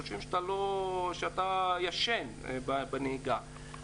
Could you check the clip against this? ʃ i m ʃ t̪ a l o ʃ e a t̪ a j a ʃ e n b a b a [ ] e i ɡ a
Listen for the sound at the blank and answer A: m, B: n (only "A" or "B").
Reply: B